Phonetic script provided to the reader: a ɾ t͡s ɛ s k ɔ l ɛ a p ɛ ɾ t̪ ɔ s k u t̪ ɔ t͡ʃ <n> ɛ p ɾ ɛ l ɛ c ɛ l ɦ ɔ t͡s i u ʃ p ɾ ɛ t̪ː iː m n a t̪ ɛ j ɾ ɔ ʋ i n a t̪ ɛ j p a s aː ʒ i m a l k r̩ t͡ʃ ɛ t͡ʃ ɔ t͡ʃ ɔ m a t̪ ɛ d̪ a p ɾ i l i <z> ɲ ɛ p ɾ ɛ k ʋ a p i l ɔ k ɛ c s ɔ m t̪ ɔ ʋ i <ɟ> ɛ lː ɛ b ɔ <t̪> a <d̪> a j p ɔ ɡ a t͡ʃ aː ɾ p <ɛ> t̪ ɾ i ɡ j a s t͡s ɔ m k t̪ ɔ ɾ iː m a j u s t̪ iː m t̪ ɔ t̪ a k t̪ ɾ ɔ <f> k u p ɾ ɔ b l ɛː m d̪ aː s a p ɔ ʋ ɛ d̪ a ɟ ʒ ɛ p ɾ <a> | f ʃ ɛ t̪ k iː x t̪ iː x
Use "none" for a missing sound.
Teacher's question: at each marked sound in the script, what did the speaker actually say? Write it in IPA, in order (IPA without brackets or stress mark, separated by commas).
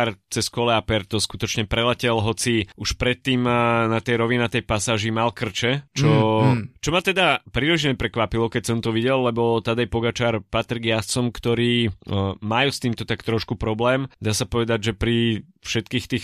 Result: ɲ, ʒ, ɟ, t̪, d̪, a, ʃ, i